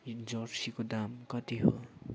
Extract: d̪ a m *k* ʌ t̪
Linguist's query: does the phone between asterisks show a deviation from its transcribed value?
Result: no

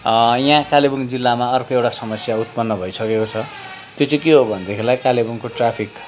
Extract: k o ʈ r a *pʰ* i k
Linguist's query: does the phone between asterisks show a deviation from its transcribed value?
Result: no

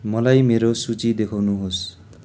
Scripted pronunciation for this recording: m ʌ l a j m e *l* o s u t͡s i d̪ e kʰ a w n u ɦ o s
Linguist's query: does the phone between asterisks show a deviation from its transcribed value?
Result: yes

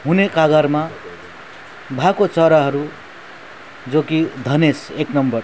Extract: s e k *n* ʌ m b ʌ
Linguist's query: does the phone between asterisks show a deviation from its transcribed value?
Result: no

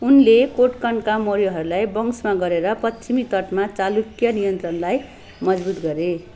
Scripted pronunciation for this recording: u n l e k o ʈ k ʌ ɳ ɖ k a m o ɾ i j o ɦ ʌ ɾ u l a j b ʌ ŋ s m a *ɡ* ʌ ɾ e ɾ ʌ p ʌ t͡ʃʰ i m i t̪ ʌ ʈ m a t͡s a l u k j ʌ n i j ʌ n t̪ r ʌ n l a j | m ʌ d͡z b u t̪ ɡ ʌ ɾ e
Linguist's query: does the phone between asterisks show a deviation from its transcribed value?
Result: no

